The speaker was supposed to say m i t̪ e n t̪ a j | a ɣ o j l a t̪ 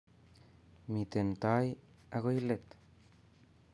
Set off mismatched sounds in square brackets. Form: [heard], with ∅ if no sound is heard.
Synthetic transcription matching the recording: m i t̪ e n t̪ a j | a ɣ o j l [e] t̪